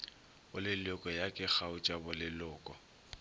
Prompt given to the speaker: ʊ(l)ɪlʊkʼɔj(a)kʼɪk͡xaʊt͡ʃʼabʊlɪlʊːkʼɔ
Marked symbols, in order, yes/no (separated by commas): yes, yes